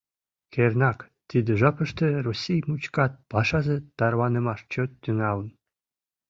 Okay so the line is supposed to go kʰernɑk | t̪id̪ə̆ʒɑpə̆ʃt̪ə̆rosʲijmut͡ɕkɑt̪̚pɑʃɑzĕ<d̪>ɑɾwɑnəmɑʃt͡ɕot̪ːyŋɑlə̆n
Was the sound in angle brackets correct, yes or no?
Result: no